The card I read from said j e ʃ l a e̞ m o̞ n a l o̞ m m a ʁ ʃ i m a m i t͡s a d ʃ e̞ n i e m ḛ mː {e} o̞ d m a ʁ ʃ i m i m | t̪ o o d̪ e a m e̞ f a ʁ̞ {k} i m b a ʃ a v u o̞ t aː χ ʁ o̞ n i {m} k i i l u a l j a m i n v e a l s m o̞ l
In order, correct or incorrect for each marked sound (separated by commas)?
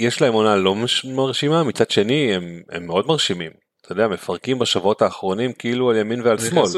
correct, correct, correct